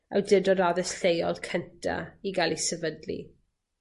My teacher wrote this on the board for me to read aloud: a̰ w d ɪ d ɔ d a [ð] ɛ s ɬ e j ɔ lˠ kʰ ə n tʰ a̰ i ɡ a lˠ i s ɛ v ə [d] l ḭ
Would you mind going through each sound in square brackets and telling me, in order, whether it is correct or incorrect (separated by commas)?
correct, correct